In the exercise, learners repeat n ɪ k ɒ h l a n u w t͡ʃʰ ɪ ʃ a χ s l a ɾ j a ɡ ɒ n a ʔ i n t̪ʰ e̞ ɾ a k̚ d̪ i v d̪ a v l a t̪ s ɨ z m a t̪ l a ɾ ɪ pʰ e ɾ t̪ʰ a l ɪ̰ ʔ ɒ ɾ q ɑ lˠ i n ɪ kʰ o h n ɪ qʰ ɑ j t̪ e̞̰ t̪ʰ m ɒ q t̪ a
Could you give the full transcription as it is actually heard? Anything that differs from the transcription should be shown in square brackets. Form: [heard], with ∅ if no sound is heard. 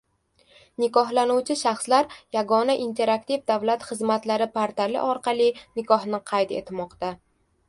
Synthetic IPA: n ɪ k ɒ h l a n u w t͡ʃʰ ɪ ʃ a χ s l a ɾ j a ɡ ɒ n a ʔ i n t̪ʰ e̞ ɾ a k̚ [t̪] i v d̪ a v l a t̪ [χ] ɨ z m a t̪ l a ɾ ɪ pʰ [a] ɾ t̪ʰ a l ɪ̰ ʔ ɒ ɾ q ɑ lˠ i n ɪ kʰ [ɒ] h n ɪ qʰ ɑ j t̪ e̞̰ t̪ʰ m ɒ q t̪ a